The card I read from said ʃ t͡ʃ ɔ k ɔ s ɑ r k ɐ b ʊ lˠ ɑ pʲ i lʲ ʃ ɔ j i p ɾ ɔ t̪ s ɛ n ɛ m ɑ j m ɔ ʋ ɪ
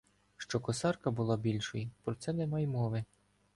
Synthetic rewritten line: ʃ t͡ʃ ɔ k ɔ s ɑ r k ɐ b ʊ lˠ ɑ bʲ i lʲ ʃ ɔ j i p ɾ ɔ t̪ s ɛ n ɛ m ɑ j m ɔ ʋ ɪ